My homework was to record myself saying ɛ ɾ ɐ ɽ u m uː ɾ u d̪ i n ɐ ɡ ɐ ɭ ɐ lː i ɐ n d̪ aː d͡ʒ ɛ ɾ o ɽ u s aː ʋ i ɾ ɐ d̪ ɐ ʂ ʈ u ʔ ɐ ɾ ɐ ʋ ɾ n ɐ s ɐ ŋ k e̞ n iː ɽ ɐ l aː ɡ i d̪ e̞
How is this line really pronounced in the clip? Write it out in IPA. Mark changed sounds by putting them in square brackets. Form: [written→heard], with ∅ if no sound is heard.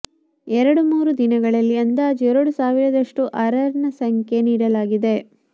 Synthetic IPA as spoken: ɛ ɾ ɐ ɽ u m uː ɾ u d̪ i n ɐ ɡ ɐ ɭ ɐ lː i ɐ n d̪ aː d͡ʒ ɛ ɾ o ɽ u s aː ʋ i ɾ ɐ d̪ ɐ ʂ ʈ u ʔ ɐ ɾ ɐ [ʋ→∅] ɾ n ɐ s ɐ ŋ k e̞ n iː ɽ ɐ l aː ɡ i d̪ e̞